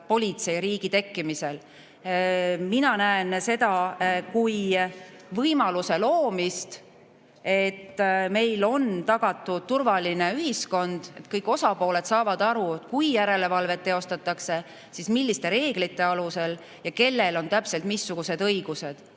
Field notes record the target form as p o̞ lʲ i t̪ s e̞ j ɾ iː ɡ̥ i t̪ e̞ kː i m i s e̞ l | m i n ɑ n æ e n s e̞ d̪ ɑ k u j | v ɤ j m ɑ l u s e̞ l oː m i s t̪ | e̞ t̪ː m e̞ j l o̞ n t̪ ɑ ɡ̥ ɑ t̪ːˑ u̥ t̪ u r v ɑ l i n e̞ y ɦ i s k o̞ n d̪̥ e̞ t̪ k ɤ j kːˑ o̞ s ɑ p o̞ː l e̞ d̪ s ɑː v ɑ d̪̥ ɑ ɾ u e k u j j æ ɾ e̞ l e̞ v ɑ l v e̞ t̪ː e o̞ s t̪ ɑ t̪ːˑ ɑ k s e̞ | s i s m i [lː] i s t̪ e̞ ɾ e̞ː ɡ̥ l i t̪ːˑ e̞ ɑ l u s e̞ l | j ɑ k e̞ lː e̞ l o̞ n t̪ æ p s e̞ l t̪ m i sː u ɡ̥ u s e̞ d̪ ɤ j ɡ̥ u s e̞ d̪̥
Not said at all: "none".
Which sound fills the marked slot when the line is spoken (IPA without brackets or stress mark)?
lː